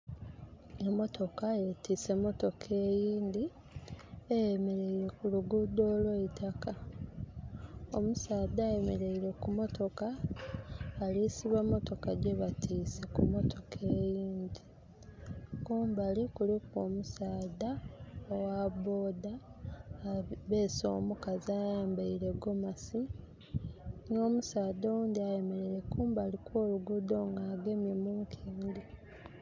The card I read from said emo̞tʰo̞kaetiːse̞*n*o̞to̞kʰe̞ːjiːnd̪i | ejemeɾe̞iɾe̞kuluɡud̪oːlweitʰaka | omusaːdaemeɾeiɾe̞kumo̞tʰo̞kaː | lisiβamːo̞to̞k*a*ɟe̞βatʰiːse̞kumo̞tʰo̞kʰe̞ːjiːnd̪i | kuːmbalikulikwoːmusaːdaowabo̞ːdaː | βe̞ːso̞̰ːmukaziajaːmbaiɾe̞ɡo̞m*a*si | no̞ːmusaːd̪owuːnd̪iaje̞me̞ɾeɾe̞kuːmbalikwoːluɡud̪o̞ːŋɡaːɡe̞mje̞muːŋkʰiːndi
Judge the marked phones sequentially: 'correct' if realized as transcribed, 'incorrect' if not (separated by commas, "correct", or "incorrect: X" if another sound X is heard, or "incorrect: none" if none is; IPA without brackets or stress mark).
incorrect: m, correct, correct